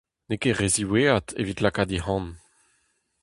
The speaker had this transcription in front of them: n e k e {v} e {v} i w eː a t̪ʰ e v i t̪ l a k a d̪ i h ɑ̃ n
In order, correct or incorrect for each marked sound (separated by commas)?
incorrect, incorrect